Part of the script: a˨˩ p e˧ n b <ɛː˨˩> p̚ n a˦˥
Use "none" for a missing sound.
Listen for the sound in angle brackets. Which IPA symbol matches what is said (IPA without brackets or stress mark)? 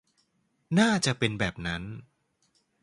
ɛː˨˩